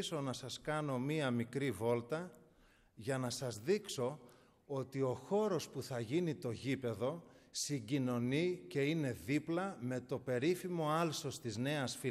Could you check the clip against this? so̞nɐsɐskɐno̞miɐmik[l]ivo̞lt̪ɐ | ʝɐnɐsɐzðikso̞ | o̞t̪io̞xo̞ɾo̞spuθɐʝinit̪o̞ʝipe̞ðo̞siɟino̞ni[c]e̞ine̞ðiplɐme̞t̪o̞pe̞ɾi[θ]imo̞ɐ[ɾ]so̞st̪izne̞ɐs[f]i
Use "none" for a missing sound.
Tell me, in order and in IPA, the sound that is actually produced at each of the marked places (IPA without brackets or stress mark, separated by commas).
ɾ, c, f, l, f